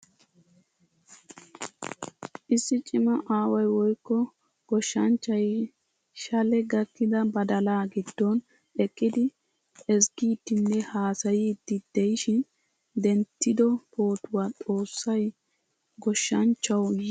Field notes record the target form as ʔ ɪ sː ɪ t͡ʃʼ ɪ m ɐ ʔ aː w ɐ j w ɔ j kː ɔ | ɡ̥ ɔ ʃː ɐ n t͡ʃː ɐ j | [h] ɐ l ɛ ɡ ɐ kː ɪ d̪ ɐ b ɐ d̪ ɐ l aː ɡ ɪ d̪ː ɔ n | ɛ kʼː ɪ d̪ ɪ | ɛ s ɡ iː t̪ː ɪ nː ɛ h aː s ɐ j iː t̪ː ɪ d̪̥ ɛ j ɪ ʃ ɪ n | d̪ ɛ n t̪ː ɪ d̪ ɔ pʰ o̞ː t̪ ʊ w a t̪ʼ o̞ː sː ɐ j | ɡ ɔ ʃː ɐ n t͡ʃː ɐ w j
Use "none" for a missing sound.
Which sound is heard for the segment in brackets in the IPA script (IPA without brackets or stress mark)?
ʃ